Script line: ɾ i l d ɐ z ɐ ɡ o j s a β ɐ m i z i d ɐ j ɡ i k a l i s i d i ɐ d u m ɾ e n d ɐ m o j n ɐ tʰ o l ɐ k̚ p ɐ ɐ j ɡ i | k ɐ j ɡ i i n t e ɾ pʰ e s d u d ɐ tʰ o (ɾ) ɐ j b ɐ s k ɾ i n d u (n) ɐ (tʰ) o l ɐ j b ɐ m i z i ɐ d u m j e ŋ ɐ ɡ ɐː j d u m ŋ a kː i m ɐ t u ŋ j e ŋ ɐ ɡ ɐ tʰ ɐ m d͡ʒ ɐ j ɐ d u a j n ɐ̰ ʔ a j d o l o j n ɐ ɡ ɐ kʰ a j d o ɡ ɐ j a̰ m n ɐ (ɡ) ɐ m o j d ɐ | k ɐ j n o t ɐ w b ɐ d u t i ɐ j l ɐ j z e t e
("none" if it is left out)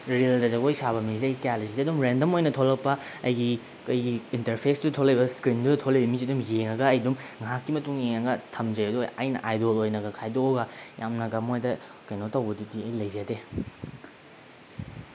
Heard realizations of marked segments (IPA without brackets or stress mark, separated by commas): l, d, tʰ, ɡ